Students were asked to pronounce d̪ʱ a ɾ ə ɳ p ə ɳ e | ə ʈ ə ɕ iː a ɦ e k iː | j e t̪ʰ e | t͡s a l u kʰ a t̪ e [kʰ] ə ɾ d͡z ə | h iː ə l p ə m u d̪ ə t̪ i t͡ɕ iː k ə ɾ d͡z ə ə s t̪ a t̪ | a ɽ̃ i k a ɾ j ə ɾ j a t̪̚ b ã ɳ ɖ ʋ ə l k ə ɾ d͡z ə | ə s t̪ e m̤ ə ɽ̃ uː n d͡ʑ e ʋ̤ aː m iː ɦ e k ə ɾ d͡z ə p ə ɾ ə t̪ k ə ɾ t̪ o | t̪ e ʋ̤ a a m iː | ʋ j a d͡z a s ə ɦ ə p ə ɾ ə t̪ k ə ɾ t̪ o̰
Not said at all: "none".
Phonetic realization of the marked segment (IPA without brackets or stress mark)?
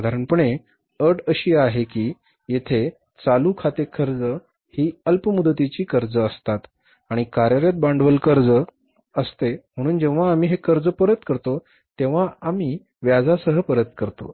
kʰ